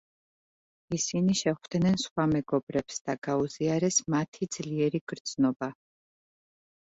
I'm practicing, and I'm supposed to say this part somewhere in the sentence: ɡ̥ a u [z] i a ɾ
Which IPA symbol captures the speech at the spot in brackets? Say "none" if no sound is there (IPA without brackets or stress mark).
z